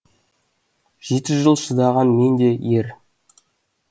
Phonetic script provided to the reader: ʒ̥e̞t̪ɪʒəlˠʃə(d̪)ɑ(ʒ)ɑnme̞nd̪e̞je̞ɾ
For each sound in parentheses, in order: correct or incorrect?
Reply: correct, incorrect: ʁ

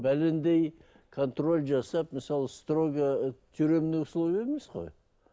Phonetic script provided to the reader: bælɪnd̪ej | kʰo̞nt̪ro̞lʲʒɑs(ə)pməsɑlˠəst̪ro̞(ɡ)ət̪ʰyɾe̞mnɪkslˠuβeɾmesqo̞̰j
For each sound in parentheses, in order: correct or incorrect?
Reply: incorrect: ɑ, correct

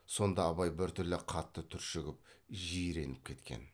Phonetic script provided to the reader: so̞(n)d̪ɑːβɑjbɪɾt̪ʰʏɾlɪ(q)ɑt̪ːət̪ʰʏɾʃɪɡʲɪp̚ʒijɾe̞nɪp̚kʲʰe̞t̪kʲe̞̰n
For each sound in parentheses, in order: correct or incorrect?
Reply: correct, incorrect: qʰ

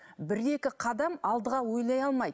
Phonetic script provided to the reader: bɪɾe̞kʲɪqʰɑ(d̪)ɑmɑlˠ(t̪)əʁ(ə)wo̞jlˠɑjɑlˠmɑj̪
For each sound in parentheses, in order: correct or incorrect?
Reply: correct, incorrect: d̪, incorrect: ɑ

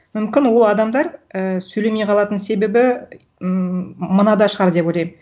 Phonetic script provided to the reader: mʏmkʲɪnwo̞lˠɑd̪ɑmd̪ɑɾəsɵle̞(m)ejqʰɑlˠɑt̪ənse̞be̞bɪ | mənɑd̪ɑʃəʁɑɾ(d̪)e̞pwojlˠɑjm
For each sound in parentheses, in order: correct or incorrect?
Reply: correct, correct

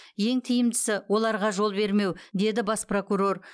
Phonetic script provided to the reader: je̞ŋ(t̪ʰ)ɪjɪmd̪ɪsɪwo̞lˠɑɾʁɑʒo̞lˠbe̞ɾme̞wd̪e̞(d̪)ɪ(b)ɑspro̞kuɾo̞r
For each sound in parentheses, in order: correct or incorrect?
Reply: correct, correct, correct

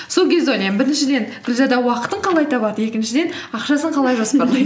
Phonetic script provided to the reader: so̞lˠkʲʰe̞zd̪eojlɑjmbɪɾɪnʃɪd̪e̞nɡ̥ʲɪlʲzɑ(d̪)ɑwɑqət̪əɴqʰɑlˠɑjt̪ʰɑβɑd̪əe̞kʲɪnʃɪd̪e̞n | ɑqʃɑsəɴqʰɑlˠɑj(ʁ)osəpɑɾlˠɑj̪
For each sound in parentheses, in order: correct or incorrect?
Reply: correct, incorrect: ʒ

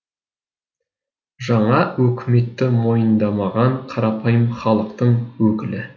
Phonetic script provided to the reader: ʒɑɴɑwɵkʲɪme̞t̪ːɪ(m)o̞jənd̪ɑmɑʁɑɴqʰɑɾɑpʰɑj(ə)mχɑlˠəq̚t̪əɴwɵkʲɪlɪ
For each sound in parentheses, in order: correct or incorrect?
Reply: correct, correct

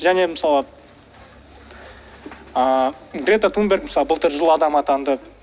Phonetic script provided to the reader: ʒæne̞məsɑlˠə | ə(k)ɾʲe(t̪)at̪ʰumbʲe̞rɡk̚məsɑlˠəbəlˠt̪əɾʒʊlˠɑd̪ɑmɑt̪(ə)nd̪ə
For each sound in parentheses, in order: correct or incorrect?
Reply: incorrect: ɡ, correct, incorrect: ɑ

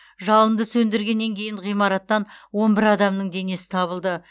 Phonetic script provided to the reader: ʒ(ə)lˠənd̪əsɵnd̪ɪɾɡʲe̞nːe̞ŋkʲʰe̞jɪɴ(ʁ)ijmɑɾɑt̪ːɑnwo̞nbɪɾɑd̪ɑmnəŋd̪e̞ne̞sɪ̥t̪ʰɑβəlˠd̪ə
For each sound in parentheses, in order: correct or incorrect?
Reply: incorrect: ɑ, correct

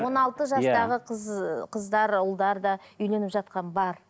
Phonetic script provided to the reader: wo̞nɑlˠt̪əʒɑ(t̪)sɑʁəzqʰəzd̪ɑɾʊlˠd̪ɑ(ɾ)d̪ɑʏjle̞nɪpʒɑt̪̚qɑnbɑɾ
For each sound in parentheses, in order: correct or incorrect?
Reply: incorrect: none, correct

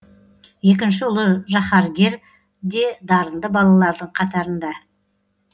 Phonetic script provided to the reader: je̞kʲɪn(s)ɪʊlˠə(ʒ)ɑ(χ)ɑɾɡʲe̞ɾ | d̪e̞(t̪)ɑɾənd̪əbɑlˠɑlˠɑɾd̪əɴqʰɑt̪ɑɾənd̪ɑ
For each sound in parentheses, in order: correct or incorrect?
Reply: incorrect: ʃ, correct, correct, incorrect: d̪

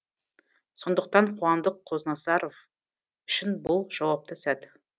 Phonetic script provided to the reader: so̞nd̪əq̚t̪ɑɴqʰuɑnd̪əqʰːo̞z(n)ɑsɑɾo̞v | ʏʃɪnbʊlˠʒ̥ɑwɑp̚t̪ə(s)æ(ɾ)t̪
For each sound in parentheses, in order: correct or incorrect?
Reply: correct, correct, incorrect: none

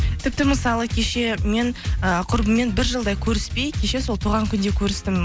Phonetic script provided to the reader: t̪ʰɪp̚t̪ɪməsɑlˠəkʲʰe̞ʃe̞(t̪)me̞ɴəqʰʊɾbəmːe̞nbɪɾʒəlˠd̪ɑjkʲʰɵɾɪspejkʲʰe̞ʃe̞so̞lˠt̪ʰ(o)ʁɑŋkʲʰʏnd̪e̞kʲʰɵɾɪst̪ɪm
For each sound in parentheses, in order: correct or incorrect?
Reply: incorrect: none, incorrect: u

